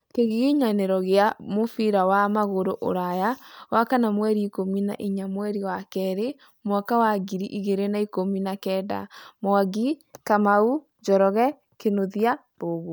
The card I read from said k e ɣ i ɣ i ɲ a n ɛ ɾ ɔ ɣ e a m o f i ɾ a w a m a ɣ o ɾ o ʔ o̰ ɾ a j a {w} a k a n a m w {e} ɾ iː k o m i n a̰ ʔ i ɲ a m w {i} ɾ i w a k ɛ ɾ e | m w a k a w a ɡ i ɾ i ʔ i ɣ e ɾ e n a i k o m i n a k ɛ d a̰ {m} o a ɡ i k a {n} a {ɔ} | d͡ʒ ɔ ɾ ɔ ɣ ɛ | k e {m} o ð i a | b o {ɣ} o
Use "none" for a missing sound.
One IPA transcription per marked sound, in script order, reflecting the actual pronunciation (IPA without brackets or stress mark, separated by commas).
w, ɛ, ɛ, m, m, u, n, ɣ